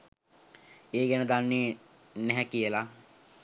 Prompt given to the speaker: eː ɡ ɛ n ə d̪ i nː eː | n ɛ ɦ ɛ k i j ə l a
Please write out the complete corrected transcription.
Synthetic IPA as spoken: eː ɡ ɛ n ə d̪ a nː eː | n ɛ ɦ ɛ k i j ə l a